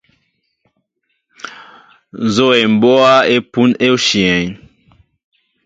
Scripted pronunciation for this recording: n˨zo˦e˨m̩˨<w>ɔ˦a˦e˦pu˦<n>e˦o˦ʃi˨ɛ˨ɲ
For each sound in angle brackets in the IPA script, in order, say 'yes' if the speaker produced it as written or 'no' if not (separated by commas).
no, yes